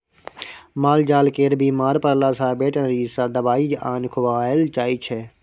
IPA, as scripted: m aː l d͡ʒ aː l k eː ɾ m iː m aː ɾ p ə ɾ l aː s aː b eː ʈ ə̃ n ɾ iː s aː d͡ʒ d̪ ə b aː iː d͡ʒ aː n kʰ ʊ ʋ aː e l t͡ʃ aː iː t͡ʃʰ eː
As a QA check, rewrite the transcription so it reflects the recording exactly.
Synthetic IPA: m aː l d͡ʒ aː l k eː ɾ b iː m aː ɾ p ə ɾ l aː s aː b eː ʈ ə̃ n ɾ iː s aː d̪ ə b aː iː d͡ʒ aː n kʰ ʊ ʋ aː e l t͡ʃ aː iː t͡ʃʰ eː